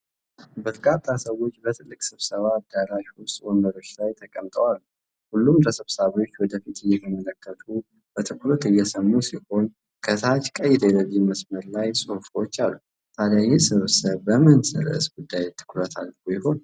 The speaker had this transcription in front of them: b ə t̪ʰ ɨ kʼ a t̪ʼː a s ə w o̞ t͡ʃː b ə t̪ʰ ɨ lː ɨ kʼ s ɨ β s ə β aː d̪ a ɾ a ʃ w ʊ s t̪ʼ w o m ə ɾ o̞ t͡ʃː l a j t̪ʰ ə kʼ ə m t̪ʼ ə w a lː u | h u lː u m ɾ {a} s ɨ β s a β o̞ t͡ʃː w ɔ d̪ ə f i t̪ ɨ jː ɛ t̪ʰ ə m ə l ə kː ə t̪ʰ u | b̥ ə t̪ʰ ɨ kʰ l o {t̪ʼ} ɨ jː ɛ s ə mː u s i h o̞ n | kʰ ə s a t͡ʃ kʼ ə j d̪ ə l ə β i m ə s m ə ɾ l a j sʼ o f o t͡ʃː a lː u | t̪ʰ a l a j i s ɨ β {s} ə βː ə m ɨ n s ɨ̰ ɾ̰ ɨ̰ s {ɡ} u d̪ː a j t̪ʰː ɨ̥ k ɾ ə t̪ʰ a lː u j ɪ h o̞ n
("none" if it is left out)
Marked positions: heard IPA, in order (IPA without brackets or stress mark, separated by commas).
ə, t̪, s, ɡ